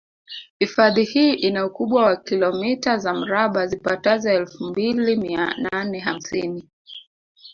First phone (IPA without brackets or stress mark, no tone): h